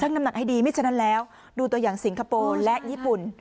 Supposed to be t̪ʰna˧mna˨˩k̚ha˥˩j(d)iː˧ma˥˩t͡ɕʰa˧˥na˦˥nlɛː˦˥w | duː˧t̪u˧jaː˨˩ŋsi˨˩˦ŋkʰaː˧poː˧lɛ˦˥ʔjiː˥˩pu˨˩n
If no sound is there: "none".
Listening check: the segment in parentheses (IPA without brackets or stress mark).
d